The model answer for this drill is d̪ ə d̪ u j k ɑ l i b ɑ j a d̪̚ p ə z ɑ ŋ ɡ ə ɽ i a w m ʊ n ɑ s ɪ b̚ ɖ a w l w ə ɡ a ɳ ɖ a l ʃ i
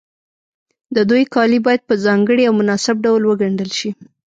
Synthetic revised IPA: d̪ ə d̪ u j k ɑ l i b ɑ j a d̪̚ p ə z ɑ ŋ ɡ ə ɽ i a w m ʊ n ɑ s ɪ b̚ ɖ a w l w ə ɡ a ɳ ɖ ə l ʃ i